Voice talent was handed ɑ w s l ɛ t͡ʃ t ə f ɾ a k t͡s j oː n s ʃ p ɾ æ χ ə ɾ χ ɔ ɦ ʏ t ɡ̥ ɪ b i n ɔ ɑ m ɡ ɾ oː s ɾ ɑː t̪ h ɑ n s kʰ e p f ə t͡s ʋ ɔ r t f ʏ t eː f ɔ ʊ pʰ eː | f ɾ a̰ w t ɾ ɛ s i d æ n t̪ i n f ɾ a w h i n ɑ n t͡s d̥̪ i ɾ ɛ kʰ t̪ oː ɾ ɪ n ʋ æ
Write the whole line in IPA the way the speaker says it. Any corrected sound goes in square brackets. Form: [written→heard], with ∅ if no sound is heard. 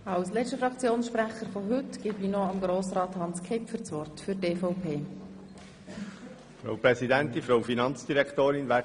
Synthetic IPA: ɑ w s l ɛ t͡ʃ t ə f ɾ [a→ɑ] k t͡s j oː n s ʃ p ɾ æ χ ə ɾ [χ→f] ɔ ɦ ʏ t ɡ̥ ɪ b i n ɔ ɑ m ɡ ɾ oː s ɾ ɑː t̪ h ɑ n s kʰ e p f ə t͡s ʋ ɔ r t f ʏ t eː f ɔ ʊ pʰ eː | f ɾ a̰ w [t→p] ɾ ɛ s i d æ n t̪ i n f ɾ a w [h→f] i n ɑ n t͡s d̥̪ i ɾ ɛ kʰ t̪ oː ɾ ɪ n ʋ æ

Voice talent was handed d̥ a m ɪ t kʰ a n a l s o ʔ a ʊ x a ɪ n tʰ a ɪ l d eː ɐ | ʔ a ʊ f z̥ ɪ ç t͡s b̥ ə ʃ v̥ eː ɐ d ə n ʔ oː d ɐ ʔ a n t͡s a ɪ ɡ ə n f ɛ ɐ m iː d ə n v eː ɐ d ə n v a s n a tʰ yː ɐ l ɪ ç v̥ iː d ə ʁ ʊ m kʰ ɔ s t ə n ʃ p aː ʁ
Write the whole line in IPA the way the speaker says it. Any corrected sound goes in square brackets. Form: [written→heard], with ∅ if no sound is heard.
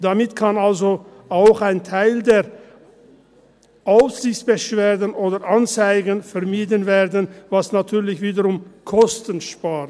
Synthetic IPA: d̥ a m ɪ t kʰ a n a l [s→z] o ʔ a ʊ x a ɪ n tʰ a ɪ l d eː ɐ | ʔ a ʊ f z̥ ɪ ç t͡s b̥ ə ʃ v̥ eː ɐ d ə n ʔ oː d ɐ ʔ a n t͡s a ɪ ɡ ə n f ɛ ɐ m iː d ə n v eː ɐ d ə n v a s n a tʰ yː ɐ l ɪ ç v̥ iː d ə ʁ ʊ m kʰ ɔ s t ə n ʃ p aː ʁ

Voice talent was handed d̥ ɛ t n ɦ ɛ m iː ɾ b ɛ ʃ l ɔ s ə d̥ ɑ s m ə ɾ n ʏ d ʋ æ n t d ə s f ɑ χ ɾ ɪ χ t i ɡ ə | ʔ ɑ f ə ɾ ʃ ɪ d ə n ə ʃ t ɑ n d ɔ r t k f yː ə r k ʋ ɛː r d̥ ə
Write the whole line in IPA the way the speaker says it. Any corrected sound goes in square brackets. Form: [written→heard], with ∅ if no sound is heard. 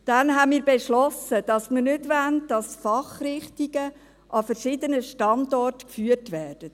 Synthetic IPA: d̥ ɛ [t→∅] n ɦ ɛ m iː ɾ b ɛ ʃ l ɔ s ə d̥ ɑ s m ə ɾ n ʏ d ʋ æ n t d [ə→ɑ] s f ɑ χ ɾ ɪ χ t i ɡ ə | ʔ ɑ f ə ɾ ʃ ɪ d ə n ə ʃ t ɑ n d ɔ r t k f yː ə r [k→t] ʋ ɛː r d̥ ə

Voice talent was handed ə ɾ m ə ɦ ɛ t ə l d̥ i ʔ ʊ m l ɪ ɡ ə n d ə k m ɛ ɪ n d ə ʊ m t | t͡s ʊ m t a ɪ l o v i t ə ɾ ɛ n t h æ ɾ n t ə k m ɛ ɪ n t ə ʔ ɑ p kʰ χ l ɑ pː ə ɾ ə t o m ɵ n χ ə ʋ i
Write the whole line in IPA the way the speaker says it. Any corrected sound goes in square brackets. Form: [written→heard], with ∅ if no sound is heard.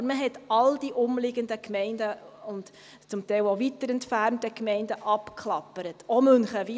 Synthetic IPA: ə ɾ m ə ɦ ɛ t [ə→ɑ] l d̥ i ʔ ʊ m l ɪ ɡ ə n d ə k m ɛ ɪ n d ə ʊ [m→n] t | t͡s ʊ m t [a→ɛ] ɪ l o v i t ə ɾ ɛ n t [h→f] æ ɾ n t ə k m ɛ ɪ n [t→d] ə ʔ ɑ p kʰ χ l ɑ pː ə ɾ ə t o m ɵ n χ ə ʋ i

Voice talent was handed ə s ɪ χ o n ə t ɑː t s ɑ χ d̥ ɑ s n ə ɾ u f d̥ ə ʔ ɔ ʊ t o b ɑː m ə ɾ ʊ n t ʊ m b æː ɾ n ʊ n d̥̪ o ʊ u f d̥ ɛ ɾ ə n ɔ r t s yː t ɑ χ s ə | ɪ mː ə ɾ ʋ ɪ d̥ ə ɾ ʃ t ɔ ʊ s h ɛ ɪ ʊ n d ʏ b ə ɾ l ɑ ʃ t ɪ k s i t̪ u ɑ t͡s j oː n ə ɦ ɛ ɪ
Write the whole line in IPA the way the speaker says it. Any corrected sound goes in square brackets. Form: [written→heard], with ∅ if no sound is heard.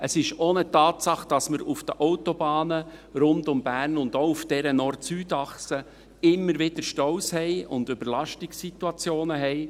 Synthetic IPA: ə s ɪ [χ→ʃ] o n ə t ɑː t s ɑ χ d̥ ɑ s [n→m] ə ɾ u f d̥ ə ʔ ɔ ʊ t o b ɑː [m→n] ə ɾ ʊ n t ʊ m b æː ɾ n ʊ n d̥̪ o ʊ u f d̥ ɛ ɾ ə n ɔ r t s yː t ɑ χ s ə | ɪ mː ə ɾ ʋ ɪ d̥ ə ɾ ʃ t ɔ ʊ s h ɛ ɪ ʊ n d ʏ b ə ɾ l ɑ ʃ t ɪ k s i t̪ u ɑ t͡s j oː n ə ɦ ɛ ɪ

